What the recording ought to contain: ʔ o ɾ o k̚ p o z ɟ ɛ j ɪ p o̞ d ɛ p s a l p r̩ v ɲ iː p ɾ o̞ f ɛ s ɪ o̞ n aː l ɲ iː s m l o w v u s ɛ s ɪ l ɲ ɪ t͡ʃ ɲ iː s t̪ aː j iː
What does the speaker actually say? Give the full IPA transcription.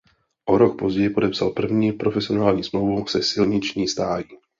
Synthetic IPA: ʔ o ɾ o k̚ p o z ɟ ɛ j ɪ p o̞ d ɛ p s a l p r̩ v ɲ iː p ɾ o̞ f ɛ s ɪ o̞ n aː l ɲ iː s m l o w v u s ɛ s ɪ l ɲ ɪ t͡ʃ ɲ iː s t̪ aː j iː